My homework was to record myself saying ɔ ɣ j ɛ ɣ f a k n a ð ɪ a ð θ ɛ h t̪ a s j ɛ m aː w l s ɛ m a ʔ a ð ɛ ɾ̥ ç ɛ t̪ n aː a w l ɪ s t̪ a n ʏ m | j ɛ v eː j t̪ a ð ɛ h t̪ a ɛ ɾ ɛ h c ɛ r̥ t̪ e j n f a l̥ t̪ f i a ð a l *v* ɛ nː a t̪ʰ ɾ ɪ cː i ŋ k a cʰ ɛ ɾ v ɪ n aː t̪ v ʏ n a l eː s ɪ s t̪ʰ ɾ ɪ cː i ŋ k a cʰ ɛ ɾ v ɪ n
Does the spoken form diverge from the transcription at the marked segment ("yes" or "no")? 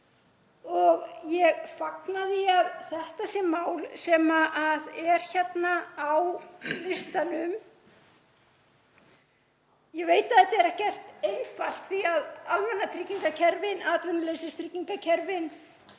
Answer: no